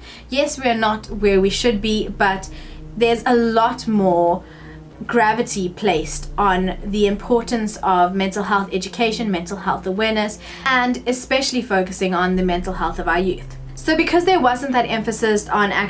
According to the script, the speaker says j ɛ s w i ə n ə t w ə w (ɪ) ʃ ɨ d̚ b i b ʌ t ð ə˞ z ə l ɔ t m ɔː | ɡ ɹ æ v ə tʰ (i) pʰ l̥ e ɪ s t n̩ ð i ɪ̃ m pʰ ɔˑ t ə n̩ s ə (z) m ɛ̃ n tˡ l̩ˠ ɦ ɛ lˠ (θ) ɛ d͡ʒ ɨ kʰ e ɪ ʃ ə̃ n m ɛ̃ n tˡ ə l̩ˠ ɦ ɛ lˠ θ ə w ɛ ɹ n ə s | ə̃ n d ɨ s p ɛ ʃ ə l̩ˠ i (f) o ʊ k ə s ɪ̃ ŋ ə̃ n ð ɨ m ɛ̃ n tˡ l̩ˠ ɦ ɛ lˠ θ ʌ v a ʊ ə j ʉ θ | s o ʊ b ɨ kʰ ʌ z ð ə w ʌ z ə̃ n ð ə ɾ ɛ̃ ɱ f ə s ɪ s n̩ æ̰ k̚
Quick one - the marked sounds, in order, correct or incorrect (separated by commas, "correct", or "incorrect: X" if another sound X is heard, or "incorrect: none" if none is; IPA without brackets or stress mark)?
incorrect: i, correct, incorrect: v, correct, correct